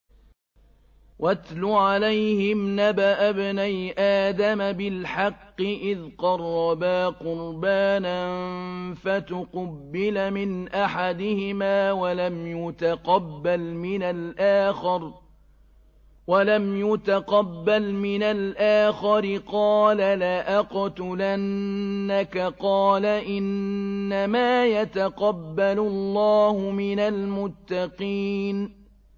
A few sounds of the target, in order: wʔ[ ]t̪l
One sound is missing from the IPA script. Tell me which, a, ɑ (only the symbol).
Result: a